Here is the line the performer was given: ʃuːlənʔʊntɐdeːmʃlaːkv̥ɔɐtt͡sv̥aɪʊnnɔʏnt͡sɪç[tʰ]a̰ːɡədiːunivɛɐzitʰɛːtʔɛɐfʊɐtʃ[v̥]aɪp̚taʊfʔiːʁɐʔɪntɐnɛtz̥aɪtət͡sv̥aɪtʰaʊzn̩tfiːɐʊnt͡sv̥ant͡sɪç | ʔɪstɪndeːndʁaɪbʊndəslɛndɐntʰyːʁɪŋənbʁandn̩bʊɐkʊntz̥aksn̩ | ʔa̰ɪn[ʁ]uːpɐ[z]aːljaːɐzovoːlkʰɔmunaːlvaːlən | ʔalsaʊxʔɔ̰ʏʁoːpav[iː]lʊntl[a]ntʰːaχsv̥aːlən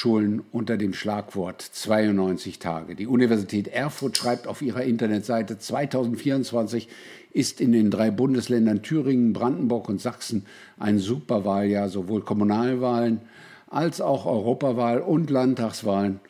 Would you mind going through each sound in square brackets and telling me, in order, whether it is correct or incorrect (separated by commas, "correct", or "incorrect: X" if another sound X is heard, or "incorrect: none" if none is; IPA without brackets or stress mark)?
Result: correct, incorrect: ʁ̥, incorrect: z, incorrect: v, incorrect: aː, correct